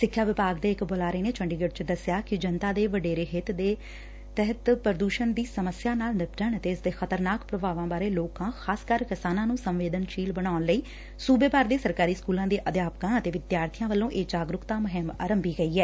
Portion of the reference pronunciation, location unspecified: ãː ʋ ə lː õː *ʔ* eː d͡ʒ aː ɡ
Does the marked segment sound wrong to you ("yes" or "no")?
no